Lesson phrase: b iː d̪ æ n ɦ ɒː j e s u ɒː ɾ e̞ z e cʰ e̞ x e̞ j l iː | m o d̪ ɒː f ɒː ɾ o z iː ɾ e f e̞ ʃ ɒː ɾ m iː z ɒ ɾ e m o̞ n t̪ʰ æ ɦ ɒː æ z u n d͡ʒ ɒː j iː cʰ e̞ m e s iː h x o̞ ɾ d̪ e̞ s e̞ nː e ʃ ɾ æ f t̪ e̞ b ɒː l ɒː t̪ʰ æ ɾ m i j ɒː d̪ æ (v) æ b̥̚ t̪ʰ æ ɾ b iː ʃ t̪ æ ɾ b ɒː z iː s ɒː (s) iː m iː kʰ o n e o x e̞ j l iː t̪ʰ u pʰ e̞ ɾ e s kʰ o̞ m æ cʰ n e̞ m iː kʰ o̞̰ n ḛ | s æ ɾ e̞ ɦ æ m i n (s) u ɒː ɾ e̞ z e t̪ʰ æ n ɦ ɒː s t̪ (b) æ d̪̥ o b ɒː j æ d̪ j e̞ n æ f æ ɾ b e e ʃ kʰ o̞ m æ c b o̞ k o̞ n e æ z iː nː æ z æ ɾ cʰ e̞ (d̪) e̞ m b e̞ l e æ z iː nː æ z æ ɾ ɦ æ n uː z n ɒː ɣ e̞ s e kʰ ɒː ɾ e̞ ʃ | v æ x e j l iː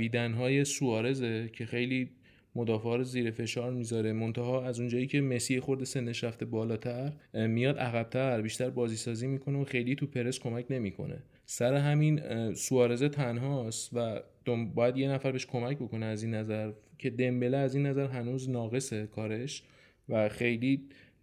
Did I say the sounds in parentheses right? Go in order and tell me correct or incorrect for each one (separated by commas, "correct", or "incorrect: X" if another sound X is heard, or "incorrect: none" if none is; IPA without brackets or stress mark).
incorrect: ɣ, incorrect: z, correct, incorrect: v, correct